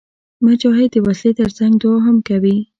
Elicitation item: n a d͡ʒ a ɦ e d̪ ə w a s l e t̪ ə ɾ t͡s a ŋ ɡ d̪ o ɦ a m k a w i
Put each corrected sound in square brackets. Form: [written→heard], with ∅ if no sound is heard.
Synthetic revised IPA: [n→m] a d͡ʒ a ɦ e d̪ ə w a s l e t̪ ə ɾ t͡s a ŋ ɡ d̪ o ɦ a m k a w i